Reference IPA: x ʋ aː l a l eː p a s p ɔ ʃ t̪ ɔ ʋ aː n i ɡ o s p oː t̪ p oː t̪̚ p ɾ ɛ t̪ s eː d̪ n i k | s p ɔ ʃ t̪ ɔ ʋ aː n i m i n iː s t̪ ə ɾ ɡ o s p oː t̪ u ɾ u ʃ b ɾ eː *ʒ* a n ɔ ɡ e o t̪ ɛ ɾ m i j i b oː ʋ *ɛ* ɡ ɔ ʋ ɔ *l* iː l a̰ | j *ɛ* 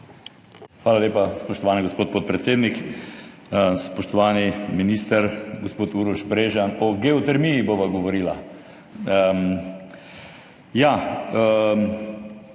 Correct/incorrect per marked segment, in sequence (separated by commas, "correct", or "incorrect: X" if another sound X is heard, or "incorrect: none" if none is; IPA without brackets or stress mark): correct, incorrect: a, incorrect: ɾ, incorrect: a